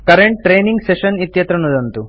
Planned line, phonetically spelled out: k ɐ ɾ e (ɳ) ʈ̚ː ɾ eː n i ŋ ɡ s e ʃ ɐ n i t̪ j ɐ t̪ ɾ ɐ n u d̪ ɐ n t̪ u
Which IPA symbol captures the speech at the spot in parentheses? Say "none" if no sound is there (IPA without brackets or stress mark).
ɳ